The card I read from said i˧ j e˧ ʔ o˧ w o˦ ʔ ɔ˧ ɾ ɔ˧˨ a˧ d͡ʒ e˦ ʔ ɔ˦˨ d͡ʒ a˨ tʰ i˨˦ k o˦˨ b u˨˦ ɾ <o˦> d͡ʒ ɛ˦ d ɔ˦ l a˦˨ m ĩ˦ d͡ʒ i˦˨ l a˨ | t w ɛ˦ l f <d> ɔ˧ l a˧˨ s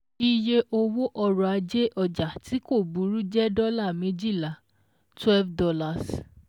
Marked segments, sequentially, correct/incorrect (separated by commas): incorrect, correct